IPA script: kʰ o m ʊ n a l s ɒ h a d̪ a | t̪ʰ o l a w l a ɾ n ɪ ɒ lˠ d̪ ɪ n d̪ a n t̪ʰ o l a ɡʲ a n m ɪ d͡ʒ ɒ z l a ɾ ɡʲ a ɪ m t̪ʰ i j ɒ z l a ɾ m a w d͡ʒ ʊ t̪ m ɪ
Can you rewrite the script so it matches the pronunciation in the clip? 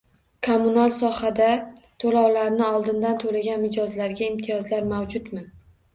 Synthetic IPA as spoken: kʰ o m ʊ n a l s ɒ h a d̪ a | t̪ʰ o l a w l a ɾ n ɪ ɒ lˠ d̪ ɪ n d̪ a n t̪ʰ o l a ɡʲ a n m ɪ d͡ʒ ɒ z l a ɾ ɡʲ a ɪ m t̪ʰ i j ɒ z l a ɾ m a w d͡ʒ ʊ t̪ m ɪ